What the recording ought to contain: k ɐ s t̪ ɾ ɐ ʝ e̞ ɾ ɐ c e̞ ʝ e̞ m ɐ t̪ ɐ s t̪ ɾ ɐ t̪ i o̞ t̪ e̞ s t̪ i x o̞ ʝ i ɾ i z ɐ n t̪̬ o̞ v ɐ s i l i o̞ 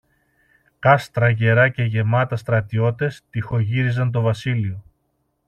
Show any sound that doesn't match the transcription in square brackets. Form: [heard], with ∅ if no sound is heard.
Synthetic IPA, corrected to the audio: k ɐ s t̪ ɾ ɐ ʝ e̞ ɾ ɐ c e̞ ʝ e̞ m ɐ t̪ ɐ s t̪ ɾ ɐ t̪ i o̞ t̪ e̞ s t̪ i x o̞ ʝ i ɾ i z ɐ n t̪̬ o̞ v ɐ s i l i o̞